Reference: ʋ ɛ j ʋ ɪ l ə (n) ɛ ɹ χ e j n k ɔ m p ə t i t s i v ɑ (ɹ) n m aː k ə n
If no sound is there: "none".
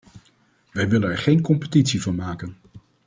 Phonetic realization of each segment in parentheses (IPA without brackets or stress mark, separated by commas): n, none